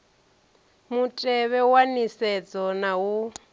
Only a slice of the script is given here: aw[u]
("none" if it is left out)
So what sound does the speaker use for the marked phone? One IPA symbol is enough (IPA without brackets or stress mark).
u